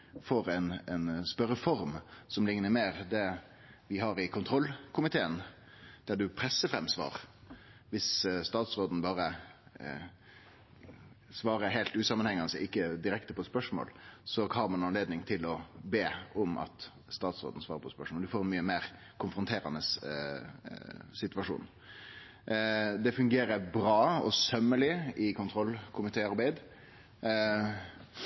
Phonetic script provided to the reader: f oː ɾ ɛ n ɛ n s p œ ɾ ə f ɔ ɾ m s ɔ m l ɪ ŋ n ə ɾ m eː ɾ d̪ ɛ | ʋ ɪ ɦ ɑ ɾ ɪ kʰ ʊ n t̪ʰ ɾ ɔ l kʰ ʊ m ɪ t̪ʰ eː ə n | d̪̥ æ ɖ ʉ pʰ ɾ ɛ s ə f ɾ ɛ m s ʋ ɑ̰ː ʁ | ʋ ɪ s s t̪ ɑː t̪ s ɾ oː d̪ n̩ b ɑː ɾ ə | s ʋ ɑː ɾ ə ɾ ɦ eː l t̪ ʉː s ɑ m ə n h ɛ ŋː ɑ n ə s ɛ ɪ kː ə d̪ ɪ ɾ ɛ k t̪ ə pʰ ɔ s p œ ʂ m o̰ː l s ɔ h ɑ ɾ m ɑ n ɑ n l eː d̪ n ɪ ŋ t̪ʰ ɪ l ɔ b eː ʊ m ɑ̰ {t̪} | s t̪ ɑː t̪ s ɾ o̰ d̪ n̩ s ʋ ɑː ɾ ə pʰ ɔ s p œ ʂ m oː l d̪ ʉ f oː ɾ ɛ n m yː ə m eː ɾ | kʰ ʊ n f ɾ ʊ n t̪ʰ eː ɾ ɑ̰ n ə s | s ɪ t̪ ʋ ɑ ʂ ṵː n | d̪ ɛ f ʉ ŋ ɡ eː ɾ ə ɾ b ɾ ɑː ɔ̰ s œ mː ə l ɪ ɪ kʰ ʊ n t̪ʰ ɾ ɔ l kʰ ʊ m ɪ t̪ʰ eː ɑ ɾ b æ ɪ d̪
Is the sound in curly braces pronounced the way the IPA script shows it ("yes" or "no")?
yes